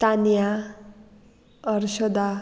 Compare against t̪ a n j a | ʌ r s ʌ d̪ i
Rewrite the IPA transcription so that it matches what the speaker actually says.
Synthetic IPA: t̪ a n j a | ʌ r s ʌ d̪ a